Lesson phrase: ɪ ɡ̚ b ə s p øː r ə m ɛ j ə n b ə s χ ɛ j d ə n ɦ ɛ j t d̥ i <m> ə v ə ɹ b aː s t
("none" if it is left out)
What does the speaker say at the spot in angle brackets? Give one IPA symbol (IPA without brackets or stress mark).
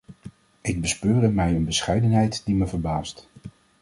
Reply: m